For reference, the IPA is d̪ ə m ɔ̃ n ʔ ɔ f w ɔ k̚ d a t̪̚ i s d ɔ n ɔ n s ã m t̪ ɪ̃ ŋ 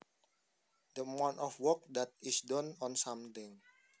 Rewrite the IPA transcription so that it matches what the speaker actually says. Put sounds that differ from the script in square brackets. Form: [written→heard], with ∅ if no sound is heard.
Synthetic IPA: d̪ ə m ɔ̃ n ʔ ɔ f w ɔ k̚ d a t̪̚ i s d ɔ n ɔ n s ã m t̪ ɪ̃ ŋ